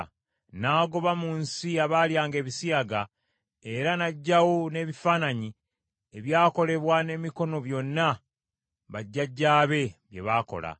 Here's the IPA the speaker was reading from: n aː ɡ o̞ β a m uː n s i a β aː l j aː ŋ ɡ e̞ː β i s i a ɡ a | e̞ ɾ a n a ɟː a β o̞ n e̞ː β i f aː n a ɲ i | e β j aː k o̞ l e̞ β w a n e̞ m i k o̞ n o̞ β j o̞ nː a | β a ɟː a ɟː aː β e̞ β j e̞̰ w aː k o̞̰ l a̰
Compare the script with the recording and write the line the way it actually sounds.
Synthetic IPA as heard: n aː ɡ o̞ β a m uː n s i a β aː l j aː ŋ ɡ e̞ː β i s i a ɡ a | e̞ ɾ a n a ɟː a w o̞ n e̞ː β i f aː n a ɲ i | e β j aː k o̞ l e̞ β w a n e̞ m i k o̞ n o̞ β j o̞ nː a | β a ɟː a ɟː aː β e̞ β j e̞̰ β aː k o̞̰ l a̰